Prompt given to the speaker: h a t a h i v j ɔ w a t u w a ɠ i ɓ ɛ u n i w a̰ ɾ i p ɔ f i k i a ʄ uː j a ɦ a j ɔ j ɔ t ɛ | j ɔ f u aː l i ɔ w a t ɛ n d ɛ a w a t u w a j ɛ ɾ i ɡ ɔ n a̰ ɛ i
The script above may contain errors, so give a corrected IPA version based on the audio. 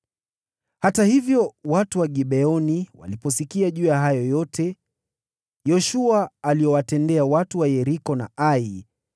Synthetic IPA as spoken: h a t a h i v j ɔ w a t u w a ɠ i ɓ ɛ ɔ n i w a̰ l i p ɔ s i k i a ʄ uː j a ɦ a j ɔ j ɔ t ɛ | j ɔ ʃ u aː l i ɔ w a t ɛ n d ɛ a w a t u w a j ɛ ɾ i k ɔ n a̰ a i

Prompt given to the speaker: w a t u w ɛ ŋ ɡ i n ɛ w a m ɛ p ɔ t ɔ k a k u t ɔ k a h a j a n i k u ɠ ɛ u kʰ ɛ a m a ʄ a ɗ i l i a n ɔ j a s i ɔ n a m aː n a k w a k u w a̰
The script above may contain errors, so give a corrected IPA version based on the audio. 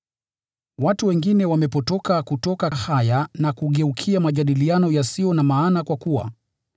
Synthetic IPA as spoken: w a t u w ɛ ŋ ɡ i n ɛ w a m ɛ p ɔ t ɔ k a k u t ɔ k a h a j a n a k u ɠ ɛ u kʰ i a m a ʄ a ɗ i l i a n ɔ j a s i ɔ n a m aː n a k w a k u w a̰

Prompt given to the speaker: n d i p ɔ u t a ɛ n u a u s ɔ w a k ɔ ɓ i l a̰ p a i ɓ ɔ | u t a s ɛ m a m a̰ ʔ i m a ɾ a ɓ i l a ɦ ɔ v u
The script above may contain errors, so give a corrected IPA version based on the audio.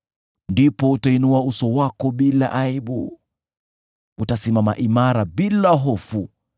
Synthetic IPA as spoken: n d i p ɔ u t a i n u a u s ɔ w a k ɔ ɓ i l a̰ ʔ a i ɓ u | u t a s i m a m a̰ ʔ i m a ɾ a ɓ i l a ɦ ɔ f u

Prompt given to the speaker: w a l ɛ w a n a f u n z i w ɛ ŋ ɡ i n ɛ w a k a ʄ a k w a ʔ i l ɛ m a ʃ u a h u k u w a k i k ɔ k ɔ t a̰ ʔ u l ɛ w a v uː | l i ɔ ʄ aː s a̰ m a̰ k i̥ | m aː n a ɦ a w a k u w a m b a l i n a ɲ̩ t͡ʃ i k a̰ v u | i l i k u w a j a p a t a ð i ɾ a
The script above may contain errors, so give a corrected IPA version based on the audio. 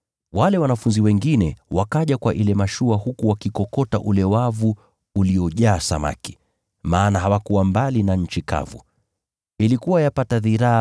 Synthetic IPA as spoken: w a l ɛ w a n a f u n z i w ɛ ŋ ɡ i n ɛ w a k a ʄ a k w a ʔ i l ɛ m a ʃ u a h u k u w a k i k ɔ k ɔ t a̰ ʔ u l ɛ w a v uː | l i ɔ ʄ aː s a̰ m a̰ k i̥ | m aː n a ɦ a w a k u w a m b a l i n a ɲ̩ t͡ʃ i k a̰ v u | i l i k u w a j a p a t a ð i ɾ a

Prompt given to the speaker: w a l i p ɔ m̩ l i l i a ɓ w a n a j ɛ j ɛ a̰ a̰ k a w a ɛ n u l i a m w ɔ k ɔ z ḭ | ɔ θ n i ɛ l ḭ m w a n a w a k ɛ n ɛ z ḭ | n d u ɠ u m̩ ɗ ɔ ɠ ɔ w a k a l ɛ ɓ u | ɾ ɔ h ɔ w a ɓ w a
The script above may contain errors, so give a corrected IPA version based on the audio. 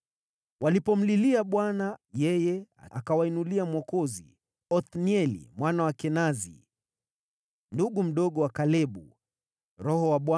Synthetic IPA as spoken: w a l i p ɔ m̩ l i l i a ɓ w a n a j ɛ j ɛ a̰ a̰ k a w a i n u l i a m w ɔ k ɔ z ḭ | ɔ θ n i ɛ l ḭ m w a n a w a k ɛ n a z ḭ | n d u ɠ u m̩ ɗ ɔ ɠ ɔ w a k a l ɛ ɓ u | ɾ ɔ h ɔ w a ɓ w a

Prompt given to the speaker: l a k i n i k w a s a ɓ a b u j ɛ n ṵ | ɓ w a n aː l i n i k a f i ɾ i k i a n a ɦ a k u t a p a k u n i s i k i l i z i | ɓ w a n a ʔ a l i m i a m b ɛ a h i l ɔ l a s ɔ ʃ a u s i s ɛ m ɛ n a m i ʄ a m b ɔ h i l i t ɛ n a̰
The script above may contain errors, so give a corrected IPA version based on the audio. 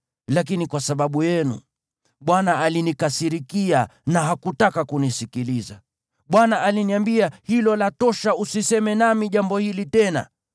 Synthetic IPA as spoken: l a k i n i k w a s a ɓ a ɓ u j ɛ n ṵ | ɓ w a n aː l i n i k a s i ɾ i k i a n a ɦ a k u t a k a k u n i s i k i l i z a | ɓ w a n a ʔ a l i n i a m b i a h i l ɔ l a t ɔ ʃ a u s i s ɛ m ɛ n a m i ʄ a m b ɔ h i l i t ɛ n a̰

